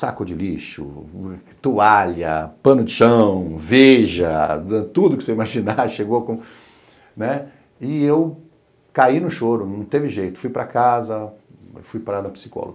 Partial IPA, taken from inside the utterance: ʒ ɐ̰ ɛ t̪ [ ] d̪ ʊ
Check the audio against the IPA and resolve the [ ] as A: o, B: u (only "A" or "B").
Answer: B